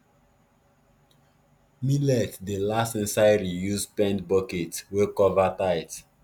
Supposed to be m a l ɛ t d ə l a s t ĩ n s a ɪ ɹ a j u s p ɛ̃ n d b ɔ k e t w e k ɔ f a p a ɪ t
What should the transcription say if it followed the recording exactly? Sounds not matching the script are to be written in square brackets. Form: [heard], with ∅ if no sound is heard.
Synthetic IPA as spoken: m [i] l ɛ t d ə l a s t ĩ n s a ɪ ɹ [i] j u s p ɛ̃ n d b ɔ k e t w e k ɔ [v] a [t] a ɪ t